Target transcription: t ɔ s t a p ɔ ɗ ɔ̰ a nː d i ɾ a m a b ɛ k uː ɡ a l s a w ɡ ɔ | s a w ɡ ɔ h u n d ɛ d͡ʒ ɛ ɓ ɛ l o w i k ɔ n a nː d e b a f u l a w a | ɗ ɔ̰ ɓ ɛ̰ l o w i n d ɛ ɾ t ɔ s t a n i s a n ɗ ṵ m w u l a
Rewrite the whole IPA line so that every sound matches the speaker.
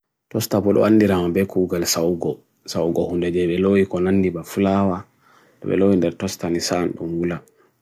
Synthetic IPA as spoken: t ɔ s t a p ɔ ɗ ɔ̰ a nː d i ɾ a m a b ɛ k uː ɡ a l s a w ɡ ɔ | s a w ɡ ɔ h u n d ɛ d͡ʒ ɛ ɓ ɛ l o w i k ɔ n a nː d i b a f u l a w a | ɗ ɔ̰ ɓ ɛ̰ l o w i n d ɛ ɾ t ɔ s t a n i s a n ɗ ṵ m w u l a